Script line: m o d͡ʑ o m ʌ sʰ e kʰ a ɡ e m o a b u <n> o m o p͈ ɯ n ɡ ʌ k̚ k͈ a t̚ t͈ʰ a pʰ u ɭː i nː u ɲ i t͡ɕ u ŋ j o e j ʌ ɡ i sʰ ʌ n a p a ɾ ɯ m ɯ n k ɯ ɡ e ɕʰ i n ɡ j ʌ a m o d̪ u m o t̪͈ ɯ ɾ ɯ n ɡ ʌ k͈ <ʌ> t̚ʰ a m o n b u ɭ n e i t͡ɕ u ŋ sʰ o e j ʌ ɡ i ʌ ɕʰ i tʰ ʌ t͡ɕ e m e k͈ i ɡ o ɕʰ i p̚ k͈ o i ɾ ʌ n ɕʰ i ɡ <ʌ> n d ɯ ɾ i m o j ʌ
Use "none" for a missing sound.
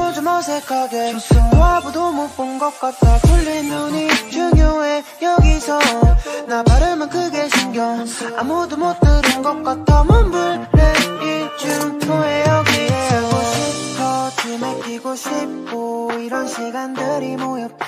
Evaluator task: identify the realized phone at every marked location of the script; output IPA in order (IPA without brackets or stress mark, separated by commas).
d, a, a